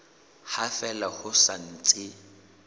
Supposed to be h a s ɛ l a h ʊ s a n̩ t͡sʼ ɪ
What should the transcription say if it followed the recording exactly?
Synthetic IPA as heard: h a f ɛ l a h ʊ s a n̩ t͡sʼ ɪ